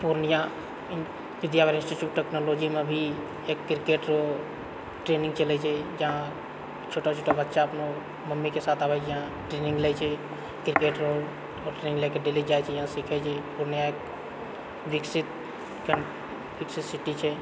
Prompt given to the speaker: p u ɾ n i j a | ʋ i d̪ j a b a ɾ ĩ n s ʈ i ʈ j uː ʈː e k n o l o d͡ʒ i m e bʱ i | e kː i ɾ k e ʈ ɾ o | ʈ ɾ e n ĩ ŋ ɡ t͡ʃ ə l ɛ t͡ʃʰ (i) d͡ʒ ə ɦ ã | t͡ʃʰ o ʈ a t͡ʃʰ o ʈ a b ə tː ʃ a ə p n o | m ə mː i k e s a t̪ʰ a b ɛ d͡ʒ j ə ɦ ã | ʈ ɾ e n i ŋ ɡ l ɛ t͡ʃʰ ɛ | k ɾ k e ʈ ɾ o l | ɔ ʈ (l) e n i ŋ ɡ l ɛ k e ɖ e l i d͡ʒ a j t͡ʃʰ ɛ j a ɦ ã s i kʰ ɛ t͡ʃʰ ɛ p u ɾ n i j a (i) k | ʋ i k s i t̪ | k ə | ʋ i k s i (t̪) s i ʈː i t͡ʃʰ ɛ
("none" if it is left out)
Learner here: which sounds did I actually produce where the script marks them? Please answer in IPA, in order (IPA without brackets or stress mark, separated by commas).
ɛ, ɾ, e, t̪